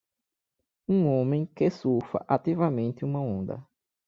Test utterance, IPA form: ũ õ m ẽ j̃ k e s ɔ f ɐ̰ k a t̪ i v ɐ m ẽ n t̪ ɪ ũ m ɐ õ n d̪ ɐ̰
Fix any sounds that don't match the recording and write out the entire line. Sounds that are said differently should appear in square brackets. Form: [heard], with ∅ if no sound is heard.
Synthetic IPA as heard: ũ õ m ẽ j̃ k e s [u] f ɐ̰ [ʔ] a t̪ i v ɐ m ẽ n t̪ ɪ ũ m ɐ õ n d̪ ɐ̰